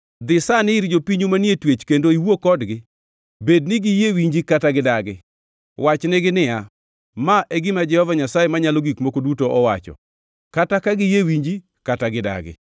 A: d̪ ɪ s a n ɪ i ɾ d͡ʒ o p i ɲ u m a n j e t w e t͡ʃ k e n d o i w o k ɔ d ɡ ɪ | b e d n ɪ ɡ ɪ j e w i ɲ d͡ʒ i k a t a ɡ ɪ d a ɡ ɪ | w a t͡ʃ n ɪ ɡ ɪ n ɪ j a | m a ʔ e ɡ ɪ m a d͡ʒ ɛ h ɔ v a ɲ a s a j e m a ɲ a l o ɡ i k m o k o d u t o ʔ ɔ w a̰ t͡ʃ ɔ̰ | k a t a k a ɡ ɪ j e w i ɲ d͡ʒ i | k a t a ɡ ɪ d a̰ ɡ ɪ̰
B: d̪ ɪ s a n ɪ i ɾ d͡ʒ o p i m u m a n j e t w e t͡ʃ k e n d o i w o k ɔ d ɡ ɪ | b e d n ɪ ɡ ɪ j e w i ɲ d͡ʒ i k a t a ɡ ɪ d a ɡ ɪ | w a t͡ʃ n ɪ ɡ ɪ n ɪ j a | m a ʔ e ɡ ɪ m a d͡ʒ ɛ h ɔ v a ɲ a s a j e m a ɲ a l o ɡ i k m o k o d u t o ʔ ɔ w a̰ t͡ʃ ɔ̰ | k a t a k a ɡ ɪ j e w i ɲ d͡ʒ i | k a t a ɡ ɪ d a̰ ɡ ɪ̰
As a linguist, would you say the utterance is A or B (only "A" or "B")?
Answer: A